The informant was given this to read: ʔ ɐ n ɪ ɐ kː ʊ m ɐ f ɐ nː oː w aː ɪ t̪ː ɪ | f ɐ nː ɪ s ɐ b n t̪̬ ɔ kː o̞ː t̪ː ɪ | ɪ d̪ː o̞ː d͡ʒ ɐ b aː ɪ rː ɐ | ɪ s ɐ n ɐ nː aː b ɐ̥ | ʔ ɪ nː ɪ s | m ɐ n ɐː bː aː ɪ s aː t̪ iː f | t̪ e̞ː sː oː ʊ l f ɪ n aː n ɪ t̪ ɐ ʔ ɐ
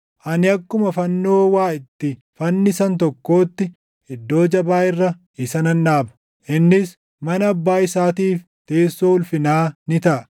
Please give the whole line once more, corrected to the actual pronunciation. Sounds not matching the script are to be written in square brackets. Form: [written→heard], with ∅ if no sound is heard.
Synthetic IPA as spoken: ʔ ɐ n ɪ ɐ kː ʊ m ɐ f ɐ nː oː w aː ɪ t̪ː ɪ | f ɐ nː ɪ s ɐ [b→∅] n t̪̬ ɔ kː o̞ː t̪ː ɪ | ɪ d̪ː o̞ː d͡ʒ ɐ b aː ɪ rː ɐ | ɪ s ɐ n ɐ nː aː b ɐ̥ | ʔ ɪ nː ɪ s | m ɐ n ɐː bː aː ɪ s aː t̪ iː f | t̪ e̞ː sː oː ʊ l f ɪ n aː n ɪ t̪ ɐ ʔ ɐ